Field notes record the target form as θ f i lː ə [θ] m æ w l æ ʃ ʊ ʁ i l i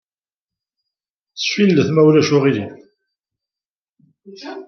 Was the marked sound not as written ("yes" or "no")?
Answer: no